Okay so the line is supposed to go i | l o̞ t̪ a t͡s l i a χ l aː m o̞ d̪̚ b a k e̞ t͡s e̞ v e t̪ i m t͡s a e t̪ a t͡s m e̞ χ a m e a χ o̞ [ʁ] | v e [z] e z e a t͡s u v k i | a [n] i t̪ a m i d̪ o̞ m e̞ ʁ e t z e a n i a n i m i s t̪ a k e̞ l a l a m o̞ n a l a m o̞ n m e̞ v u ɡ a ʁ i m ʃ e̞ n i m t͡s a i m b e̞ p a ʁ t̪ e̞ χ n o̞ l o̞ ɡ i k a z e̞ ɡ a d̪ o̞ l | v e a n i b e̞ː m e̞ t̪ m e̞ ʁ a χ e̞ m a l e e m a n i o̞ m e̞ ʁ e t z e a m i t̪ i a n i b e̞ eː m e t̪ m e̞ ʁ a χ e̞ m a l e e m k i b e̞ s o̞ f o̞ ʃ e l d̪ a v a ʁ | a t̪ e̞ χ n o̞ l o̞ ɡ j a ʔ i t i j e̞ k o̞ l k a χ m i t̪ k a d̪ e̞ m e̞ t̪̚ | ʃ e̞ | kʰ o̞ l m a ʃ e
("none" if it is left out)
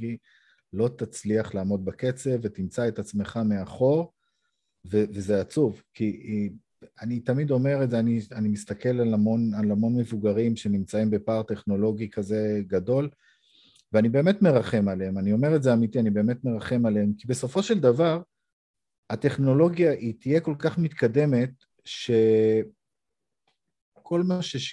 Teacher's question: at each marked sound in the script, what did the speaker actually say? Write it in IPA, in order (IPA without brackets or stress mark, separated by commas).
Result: ʁ, v, n